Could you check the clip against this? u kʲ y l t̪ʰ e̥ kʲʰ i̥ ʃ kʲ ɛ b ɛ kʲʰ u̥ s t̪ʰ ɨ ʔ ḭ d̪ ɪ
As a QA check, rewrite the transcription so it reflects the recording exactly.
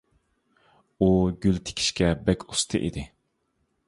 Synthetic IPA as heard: u ɡʲ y l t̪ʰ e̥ kʲʰ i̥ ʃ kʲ ɛ b ɛ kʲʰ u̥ s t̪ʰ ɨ ʔ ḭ d̪ ɪ

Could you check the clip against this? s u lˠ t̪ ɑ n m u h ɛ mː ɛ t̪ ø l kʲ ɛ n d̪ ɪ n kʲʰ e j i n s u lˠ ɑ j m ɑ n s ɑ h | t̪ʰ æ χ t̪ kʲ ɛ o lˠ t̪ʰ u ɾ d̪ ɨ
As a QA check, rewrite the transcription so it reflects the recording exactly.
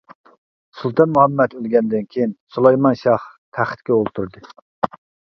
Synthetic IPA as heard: s u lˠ t̪ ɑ n m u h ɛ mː ɛ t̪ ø l ɡʲ ɛ n d̪ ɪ n kʲʰ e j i n s u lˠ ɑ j m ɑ n ʃ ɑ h | t̪ʰ æ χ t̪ kʲ ɛ o lˠ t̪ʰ u ɾ d̪ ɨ

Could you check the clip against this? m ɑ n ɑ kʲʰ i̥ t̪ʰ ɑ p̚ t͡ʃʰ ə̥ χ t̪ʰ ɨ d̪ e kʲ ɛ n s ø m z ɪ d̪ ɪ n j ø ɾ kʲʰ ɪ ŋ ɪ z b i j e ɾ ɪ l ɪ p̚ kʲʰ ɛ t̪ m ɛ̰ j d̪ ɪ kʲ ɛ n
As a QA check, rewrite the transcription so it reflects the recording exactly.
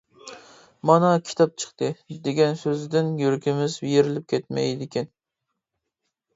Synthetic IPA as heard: m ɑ n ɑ kʲʰ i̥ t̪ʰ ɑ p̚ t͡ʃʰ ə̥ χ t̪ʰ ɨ d̪ e ɡʲ ɛ n s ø z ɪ d̪ ɪ n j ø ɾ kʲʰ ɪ m ɪ z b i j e ɾ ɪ l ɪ p̚ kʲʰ ɛ t̪ m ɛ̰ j d̪ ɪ kʲ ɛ n

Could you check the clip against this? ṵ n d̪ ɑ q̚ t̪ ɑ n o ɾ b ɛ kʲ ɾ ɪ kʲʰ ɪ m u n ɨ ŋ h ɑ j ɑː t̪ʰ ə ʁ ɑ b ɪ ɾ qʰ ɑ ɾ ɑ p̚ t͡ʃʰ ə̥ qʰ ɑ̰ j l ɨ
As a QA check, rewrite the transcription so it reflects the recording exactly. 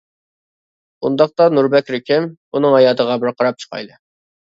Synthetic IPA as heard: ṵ n d̪ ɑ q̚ t̪ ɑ n u ɾ b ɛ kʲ ɾ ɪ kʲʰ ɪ m u n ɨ ŋ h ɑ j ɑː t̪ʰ ə ʁ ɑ b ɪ ɾ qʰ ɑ ɾ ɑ p̚ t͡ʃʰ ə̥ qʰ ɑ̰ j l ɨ

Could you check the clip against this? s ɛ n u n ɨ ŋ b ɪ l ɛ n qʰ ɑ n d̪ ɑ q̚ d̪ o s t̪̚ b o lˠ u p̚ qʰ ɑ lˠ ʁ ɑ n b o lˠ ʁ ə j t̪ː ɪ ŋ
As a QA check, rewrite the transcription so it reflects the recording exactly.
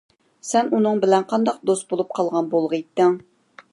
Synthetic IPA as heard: s ɛ n u n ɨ ŋ b ɪ l ɛ n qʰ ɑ n d̪ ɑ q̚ d̪ o s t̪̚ b o lˠ u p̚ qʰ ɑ lˠ ʁ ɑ n b o lˠ ʁ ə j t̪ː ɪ ŋ

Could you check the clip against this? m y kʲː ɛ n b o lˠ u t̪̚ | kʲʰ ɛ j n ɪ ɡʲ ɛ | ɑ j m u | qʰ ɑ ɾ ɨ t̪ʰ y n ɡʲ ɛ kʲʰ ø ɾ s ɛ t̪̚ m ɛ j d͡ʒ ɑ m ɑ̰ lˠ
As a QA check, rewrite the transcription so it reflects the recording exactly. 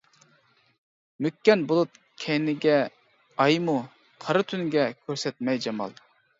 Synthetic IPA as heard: m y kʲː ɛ n b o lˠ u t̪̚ | kʲʰ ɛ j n ɪ ɡʲ ɛ | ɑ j m u | qʰ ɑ ɾ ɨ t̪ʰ y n ɡʲ ɛ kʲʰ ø ɾ s ɛ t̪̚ m ɛ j d͡ʒ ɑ m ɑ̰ lˠ

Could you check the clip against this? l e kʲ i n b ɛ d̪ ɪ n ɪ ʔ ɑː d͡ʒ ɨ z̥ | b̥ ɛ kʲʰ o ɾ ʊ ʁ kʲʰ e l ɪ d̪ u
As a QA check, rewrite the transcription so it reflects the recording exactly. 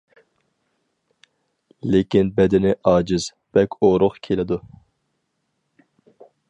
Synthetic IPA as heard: l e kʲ i n b ɛ d̪ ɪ n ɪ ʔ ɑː d͡ʒ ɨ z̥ | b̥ ɛ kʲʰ o ɾ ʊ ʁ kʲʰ e l ɪ d̪ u

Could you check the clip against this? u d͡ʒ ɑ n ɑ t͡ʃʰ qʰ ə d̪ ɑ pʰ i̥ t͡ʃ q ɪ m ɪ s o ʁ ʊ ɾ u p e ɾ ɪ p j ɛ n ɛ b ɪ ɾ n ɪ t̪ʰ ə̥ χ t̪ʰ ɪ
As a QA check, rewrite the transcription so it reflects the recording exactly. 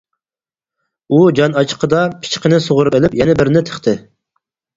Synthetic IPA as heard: u d͡ʒ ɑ n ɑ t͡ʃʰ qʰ ə d̪ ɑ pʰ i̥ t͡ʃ q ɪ n ɪ s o ʁ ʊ ɾ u p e l ɪ p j ɛ n ɛ b ɪ ɾ n ɪ t̪ʰ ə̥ χ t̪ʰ ɪ

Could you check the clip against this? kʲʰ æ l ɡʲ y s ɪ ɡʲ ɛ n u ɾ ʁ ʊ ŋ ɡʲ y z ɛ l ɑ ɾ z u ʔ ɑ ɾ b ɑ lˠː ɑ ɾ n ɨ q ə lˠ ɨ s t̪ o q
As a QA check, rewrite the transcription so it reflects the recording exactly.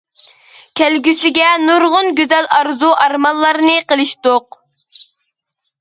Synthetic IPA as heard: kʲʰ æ l ɡʲ y s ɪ ɡʲ ɛ n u ɾ ʁ ʊ n ɡʲ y z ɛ l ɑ ɾ z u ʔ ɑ ɾ m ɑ lˠː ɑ ɾ n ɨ q ə lˠ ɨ ʃ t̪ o q

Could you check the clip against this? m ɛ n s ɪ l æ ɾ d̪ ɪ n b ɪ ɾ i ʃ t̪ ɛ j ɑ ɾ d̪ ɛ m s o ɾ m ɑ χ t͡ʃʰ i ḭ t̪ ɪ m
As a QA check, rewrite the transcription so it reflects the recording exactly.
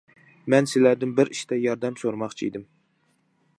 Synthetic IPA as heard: m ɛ n s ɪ l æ ɾ d̪ ɪ n b ɪ ɾ i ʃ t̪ ɛ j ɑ ɾ d̪ ɛ m s o ɾ m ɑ χ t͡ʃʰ i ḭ d̪ ɪ m

